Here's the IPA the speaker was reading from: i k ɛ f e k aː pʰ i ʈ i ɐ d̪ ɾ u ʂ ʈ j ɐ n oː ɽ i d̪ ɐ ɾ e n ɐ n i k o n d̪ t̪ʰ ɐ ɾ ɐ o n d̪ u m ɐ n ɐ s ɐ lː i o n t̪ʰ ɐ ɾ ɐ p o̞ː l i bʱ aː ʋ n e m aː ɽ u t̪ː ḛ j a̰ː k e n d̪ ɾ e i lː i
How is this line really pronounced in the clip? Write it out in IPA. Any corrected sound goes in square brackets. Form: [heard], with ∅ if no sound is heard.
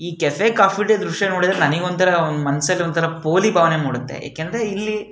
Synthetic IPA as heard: [iː] k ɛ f e k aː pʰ i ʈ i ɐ d̪ ɾ u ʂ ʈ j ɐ n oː ɽ i d̪ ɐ ɾ e n ɐ n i [ɡ] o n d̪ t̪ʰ ɐ ɾ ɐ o n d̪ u m ɐ n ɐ s ɐ lː i o n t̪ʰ ɐ ɾ ɐ p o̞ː l i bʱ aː ʋ n e m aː ɽ u t̪ː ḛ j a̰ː k e n d̪ ɾ e i lː i